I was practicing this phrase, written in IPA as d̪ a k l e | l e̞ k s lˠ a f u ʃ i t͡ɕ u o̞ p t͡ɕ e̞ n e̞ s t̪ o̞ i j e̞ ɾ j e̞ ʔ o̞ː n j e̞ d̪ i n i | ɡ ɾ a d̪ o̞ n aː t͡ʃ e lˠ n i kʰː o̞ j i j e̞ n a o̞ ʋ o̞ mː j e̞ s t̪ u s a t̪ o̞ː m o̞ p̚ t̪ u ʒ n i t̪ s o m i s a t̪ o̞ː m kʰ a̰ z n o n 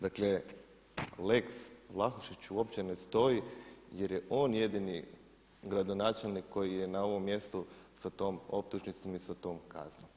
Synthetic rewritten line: d̪ a k l e | l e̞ k s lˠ a x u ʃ i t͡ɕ u o̞ p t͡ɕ e̞ n e̞ s t̪ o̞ i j e̞ ɾ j e̞ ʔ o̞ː n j e̞ d̪ i n i | ɡ ɾ a d̪ o̞ n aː t͡ʃ e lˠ n i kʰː o̞ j i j e̞ n a o̞ ʋ o̞ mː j e̞ s t̪ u s a t̪ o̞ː m o̞ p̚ t̪ u ʒ n i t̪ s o m i s a t̪ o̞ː m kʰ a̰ z n o m